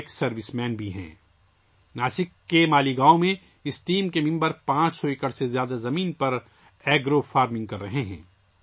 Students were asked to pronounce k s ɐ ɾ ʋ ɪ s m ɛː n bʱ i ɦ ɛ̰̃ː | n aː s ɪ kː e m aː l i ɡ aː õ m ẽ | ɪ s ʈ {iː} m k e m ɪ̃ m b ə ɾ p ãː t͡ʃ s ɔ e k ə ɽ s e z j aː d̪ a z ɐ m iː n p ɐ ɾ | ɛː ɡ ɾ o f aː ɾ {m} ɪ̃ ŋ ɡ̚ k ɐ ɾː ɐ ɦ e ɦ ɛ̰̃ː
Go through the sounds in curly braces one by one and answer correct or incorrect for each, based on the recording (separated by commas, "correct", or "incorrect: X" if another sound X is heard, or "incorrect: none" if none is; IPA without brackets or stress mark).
correct, correct